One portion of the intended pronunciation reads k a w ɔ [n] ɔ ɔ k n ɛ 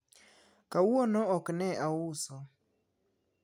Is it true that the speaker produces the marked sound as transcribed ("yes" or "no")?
yes